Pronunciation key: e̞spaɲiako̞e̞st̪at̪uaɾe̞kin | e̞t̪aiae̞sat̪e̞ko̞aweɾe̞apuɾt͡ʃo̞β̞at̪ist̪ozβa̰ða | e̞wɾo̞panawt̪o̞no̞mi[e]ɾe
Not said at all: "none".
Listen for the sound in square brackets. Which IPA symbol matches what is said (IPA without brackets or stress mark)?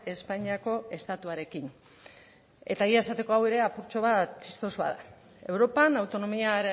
a